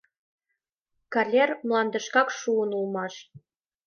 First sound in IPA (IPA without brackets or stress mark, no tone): k